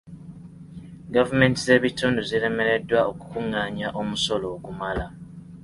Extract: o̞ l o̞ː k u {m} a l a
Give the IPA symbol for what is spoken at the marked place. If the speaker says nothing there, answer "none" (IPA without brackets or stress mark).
m